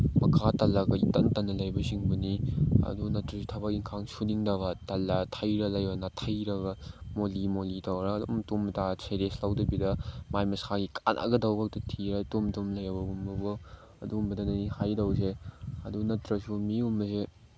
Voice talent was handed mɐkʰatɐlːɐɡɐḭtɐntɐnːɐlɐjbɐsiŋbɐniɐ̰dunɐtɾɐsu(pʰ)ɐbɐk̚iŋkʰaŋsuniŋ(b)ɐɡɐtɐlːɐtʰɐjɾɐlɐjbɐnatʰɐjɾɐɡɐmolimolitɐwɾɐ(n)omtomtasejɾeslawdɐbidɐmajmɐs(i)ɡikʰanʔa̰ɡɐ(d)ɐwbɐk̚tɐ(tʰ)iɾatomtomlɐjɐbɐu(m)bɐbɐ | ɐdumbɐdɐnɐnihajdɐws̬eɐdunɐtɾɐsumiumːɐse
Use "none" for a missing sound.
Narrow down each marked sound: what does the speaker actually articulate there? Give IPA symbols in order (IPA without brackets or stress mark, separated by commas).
tʰ, d, d, a, d, tʰ, m